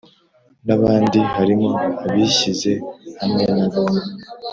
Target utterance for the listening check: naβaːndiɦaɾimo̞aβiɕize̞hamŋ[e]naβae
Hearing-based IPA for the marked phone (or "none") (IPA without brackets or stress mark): e